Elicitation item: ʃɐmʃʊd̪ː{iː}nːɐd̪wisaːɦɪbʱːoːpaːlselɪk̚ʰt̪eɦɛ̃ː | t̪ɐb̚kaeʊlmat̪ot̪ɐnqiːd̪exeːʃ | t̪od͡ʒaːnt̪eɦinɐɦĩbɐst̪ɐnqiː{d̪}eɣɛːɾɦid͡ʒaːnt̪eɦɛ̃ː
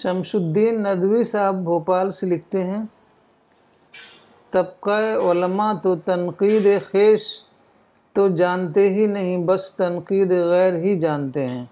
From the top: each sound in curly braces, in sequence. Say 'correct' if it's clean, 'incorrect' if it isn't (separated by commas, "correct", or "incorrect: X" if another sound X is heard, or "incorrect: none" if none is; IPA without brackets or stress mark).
correct, correct